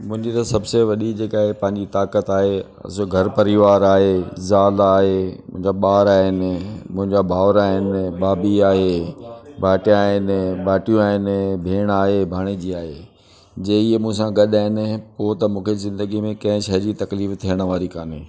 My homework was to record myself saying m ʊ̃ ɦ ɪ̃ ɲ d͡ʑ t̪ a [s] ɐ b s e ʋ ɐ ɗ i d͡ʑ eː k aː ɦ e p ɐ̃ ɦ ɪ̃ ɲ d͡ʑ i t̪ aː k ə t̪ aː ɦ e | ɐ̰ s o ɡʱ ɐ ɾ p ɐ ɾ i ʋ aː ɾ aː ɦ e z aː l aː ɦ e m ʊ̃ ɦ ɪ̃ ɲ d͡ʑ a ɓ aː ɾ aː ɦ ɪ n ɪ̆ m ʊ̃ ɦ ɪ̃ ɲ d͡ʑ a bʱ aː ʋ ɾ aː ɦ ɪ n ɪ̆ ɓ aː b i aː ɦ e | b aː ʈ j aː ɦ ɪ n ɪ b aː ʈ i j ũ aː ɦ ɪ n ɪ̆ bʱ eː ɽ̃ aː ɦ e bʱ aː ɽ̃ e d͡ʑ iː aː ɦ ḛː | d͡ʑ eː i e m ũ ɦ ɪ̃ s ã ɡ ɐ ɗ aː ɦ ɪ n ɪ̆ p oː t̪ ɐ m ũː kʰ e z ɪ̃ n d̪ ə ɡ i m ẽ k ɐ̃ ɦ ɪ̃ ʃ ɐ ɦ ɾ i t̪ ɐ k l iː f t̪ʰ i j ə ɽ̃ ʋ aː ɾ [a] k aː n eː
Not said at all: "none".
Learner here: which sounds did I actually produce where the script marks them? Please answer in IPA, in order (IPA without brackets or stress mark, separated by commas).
s, i